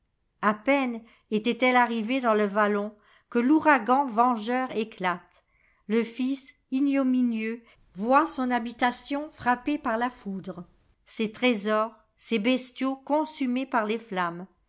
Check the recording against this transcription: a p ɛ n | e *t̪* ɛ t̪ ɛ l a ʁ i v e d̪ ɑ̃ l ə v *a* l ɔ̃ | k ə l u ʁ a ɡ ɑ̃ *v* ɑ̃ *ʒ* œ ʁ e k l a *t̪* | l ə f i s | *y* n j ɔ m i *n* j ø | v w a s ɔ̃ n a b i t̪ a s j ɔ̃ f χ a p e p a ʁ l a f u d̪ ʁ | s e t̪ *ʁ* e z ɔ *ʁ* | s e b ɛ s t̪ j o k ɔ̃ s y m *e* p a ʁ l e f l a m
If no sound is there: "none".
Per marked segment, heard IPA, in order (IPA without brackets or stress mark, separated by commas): t̪, a, v, ʒ, t̪, i, n, χ, ʁ, e